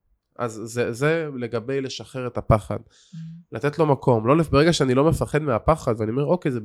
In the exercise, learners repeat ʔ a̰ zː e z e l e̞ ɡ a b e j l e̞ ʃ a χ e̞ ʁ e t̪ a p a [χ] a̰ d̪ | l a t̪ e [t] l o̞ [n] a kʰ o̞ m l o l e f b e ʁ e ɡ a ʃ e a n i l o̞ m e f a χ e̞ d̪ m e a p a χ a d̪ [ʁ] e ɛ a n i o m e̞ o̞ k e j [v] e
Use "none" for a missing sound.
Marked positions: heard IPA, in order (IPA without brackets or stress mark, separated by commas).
χ, t, m, v, z